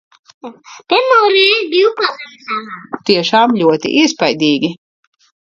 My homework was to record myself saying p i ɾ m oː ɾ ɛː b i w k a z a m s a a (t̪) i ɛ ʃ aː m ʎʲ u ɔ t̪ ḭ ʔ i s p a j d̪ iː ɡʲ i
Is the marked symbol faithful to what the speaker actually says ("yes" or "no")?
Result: yes